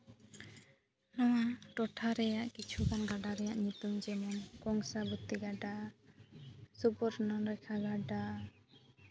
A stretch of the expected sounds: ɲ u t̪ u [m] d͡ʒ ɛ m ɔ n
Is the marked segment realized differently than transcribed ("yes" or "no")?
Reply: no